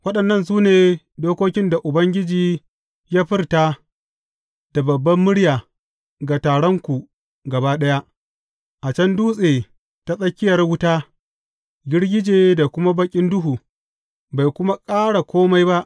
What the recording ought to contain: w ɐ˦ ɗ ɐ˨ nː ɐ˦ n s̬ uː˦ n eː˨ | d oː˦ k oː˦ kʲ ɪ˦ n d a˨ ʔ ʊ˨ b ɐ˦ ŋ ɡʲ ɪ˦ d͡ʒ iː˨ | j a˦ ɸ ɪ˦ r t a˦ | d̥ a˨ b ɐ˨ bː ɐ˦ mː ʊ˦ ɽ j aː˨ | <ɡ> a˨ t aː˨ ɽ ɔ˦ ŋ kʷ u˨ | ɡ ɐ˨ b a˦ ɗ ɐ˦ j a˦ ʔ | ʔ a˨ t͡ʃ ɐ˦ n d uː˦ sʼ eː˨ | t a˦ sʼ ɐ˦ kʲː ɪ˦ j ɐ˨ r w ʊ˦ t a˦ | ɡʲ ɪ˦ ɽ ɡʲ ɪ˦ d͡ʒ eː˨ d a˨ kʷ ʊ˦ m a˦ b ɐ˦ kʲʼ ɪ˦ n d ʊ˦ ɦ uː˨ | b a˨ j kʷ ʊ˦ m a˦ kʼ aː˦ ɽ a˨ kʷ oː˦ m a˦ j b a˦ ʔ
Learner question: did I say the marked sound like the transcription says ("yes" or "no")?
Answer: yes